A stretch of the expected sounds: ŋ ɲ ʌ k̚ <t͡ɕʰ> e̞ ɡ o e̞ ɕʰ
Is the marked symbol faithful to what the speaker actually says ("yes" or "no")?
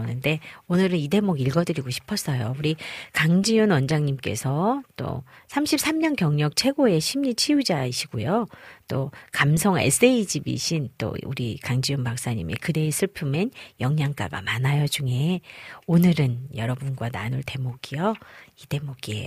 yes